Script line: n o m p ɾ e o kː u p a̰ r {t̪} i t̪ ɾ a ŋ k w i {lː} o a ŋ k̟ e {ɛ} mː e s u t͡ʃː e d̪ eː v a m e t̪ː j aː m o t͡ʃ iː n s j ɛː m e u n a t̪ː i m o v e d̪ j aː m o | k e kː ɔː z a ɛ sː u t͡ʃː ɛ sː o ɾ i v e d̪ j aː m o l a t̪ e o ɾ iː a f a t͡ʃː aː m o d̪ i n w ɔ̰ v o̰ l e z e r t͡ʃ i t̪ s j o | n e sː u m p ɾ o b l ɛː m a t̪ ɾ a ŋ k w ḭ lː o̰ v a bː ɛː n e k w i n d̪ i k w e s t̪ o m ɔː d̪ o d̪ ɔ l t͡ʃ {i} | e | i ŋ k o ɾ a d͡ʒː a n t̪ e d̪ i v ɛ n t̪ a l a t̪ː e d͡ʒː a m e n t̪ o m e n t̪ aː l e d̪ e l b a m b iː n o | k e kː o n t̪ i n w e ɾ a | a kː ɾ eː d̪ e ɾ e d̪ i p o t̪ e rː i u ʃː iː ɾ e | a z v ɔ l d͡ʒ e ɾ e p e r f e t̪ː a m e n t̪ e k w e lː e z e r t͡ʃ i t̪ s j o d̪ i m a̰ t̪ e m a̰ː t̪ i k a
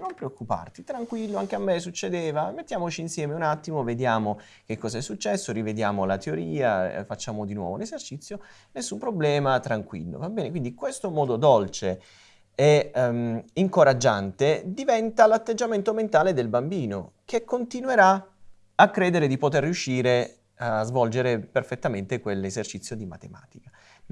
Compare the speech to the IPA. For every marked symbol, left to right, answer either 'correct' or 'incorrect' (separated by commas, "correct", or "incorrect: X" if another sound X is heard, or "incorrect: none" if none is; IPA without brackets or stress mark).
correct, correct, incorrect: a, incorrect: e